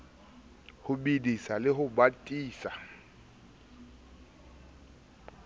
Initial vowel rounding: rounded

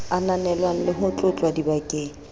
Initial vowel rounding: unrounded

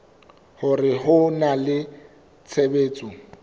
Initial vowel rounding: rounded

